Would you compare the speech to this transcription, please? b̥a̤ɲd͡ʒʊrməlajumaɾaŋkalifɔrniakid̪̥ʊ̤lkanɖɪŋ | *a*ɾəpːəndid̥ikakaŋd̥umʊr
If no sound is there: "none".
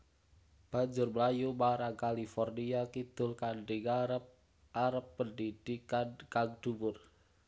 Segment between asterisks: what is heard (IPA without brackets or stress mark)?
a